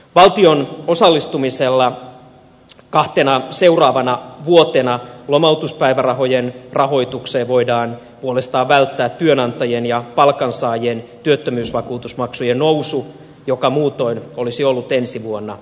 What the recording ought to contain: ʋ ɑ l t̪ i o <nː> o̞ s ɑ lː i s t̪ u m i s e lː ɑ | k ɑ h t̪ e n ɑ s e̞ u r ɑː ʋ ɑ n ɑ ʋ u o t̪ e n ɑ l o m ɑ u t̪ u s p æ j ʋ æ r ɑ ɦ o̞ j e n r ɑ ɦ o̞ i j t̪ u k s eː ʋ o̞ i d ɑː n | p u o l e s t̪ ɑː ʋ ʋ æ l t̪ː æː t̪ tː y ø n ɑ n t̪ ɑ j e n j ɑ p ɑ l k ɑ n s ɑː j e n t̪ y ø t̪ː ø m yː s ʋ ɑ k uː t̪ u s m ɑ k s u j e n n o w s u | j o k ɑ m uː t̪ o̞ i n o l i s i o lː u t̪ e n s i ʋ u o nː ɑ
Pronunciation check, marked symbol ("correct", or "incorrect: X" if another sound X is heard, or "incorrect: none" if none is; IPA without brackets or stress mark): incorrect: n